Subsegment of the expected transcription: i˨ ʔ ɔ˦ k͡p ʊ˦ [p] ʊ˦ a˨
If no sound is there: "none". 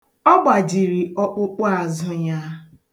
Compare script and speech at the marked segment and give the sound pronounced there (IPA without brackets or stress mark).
k͡p